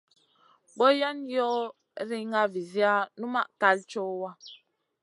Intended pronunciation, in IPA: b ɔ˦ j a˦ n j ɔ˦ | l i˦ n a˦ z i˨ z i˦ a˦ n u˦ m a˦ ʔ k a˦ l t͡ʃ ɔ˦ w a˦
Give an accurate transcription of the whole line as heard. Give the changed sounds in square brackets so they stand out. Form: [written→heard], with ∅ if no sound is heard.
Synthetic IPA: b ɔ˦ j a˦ n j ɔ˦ | [l→ɾ] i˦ [n→ŋ] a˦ [z→v] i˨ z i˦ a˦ n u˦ m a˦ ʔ k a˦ l t͡ʃ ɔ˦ w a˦